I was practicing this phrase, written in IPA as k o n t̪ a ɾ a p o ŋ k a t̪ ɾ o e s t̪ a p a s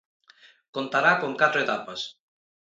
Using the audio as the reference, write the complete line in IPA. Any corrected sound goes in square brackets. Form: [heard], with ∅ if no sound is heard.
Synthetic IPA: k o n t̪ a ɾ a [k] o ŋ k a t̪ ɾ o e [∅] t̪ a p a s